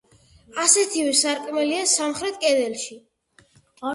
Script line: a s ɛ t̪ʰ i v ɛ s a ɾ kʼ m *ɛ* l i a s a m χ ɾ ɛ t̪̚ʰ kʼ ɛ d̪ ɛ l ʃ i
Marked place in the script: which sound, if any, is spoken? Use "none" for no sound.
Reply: ɛ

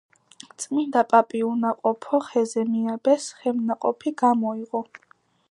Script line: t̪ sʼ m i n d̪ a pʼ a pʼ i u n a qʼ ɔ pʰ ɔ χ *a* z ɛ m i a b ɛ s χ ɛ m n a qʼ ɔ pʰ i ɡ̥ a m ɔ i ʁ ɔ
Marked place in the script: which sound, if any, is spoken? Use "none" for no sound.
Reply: ɛ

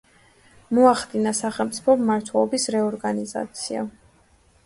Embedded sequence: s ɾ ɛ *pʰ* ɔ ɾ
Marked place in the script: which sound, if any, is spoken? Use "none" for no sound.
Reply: none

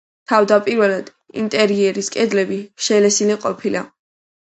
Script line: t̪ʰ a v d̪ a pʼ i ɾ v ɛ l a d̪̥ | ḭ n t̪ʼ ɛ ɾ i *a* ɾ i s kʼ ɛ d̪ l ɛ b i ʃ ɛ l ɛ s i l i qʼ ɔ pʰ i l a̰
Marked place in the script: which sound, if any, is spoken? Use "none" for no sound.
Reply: ɛ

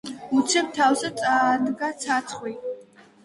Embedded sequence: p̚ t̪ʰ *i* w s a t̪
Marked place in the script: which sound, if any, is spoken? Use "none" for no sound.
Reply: a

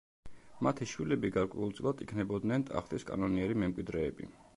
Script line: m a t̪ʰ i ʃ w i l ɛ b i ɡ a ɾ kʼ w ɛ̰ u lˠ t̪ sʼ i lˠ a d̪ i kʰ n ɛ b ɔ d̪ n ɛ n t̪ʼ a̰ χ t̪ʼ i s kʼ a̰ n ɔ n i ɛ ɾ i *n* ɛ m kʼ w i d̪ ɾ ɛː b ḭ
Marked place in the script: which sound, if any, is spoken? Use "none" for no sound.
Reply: m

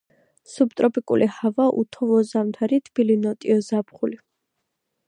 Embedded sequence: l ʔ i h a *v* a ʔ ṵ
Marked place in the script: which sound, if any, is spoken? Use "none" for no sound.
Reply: v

